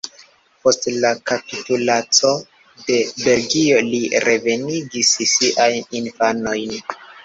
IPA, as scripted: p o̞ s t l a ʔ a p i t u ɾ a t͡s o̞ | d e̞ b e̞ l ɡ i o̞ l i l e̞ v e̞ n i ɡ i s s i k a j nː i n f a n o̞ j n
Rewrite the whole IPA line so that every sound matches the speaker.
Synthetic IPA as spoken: p o̞ s t l a k a p i t u l a t͡s o̞ | d e̞ b e̞ l ɡ i o̞ l i ɾ e̞ v e̞ n i ɡ i s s i ʔ a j n i n f a n o̞ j n